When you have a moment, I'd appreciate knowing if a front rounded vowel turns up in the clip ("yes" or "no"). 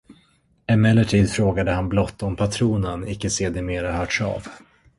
yes